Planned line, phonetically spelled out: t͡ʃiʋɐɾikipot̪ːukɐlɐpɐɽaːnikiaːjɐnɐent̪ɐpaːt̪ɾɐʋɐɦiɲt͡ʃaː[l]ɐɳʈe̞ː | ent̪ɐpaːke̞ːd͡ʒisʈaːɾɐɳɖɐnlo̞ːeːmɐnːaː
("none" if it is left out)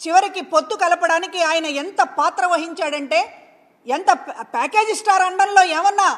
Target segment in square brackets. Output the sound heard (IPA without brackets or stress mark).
ɽ